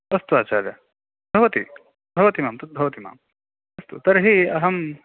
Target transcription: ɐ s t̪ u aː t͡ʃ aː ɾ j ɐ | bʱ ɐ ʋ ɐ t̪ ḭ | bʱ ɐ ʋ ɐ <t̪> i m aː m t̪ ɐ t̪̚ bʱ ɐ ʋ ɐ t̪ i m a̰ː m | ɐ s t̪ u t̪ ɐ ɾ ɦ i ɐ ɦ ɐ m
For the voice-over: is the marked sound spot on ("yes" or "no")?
yes